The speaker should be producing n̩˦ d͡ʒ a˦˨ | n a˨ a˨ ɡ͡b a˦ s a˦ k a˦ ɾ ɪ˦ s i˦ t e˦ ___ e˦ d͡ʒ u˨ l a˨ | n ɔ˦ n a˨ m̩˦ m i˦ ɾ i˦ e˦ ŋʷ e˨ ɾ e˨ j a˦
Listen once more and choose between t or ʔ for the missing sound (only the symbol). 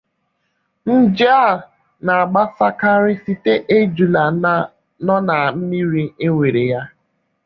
ʔ